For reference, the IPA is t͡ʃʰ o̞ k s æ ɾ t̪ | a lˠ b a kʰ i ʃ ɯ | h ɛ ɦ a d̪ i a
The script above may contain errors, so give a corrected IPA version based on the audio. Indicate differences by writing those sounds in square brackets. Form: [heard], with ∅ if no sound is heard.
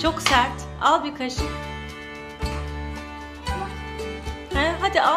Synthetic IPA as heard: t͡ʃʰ o̞ k s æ ɾ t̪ | a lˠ b [i] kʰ [a] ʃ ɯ | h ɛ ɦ a d̪ i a